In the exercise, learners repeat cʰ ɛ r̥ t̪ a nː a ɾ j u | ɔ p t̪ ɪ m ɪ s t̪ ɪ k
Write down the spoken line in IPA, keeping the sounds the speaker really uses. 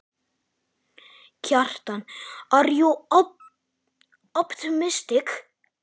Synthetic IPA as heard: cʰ a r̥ t̪ a n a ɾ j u | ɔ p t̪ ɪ m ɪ s t̪ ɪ k